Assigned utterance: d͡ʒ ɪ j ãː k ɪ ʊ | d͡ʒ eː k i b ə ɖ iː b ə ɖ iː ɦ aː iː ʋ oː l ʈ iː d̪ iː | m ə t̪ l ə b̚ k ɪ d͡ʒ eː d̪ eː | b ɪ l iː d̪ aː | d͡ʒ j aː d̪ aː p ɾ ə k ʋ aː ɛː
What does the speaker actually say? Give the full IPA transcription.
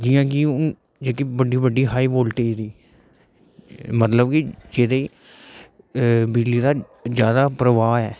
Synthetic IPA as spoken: d͡ʒ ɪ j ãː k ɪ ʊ | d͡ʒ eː k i b ə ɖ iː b ə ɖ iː ɦ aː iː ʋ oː l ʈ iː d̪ iː | m ə t̪ l ə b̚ k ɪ d͡ʒ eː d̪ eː | b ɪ l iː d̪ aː | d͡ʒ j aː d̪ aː p ɾ ə ʋ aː ɛː